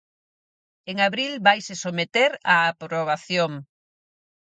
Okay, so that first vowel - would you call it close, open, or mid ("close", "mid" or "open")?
mid